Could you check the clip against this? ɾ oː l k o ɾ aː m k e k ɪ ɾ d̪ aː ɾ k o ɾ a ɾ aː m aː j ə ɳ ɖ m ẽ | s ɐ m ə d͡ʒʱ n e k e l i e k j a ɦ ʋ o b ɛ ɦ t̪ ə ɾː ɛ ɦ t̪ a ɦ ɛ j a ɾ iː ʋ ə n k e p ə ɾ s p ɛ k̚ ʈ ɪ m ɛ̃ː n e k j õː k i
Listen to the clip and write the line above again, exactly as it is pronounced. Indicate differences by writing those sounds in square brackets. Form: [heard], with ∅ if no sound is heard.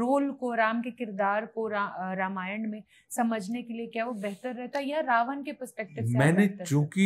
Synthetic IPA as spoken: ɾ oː l k o ɾ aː m k e k ɪ ɾ d̪ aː ɾ k o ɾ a ɾ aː m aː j ə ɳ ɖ m ẽ | s ɐ m ə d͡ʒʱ n e k e l i e k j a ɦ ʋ o b ɛ ɦ t̪ ə ɾː ɛ ɦ t̪ a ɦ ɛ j a ɾ [aː] ʋ ə n k e p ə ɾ s p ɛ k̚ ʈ ɪ m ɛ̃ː n e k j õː k i